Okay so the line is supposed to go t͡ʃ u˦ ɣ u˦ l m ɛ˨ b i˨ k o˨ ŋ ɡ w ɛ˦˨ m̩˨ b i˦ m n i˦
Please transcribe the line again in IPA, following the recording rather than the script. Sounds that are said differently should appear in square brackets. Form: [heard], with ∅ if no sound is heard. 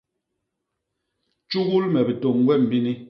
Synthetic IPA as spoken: t͡ʃ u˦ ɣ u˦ l m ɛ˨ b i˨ [t] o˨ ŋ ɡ w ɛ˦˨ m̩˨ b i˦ [∅] n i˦